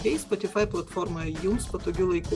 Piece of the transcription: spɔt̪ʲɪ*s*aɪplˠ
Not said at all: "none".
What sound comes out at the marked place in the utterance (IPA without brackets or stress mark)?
f